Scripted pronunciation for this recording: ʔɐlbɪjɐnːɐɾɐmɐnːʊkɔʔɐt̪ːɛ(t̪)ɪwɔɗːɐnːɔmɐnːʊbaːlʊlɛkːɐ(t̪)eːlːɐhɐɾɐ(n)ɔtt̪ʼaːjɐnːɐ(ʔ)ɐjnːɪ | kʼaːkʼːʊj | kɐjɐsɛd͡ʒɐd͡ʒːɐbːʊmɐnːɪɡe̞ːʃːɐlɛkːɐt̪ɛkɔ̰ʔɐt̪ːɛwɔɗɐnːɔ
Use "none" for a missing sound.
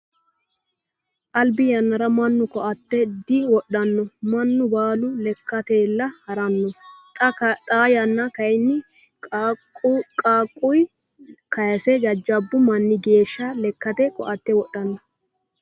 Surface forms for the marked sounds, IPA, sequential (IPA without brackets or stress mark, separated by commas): d̪, t̪, nː, k